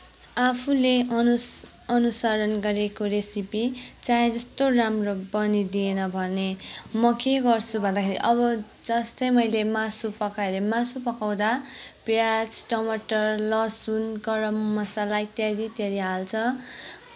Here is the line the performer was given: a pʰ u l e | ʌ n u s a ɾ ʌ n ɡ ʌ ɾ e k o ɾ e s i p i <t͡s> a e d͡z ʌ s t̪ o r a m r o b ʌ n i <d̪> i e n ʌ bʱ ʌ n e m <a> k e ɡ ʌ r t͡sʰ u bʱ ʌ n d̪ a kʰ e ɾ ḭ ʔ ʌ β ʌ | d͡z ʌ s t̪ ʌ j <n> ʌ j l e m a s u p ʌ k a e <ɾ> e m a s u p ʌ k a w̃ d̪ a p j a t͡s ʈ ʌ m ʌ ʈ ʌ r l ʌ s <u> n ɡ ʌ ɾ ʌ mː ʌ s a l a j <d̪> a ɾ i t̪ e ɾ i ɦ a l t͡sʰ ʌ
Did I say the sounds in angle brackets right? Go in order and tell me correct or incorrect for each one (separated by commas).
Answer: correct, correct, incorrect, incorrect, correct, correct, incorrect